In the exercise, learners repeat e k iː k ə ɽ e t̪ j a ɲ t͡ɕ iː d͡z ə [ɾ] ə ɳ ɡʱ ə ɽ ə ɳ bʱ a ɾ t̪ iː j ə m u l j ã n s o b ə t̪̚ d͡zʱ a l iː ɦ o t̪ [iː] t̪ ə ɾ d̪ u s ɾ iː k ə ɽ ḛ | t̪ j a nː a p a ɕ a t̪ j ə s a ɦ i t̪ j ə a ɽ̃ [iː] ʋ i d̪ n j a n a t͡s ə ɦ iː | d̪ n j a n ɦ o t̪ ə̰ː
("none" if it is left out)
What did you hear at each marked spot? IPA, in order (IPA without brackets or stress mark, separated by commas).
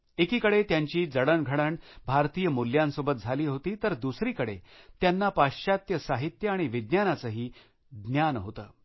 ɽ, iː, i